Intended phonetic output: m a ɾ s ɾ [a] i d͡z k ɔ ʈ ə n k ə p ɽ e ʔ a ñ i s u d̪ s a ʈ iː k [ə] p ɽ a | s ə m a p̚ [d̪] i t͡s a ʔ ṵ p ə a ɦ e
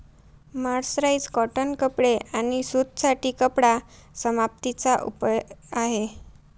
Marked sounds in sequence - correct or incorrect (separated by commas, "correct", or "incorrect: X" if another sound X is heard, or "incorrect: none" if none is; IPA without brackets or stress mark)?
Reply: correct, correct, incorrect: t̪